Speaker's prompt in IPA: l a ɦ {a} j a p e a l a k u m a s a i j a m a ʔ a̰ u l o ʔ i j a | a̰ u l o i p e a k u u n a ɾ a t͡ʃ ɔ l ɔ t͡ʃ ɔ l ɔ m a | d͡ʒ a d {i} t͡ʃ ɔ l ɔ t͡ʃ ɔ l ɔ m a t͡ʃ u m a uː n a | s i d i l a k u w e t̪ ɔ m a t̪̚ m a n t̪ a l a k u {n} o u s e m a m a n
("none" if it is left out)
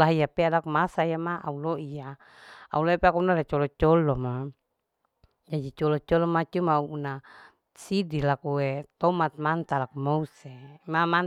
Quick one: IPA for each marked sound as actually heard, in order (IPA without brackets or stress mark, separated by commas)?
i, i, m